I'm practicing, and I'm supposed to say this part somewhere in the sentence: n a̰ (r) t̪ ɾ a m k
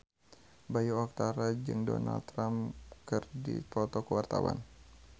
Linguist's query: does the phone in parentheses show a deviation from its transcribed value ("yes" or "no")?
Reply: yes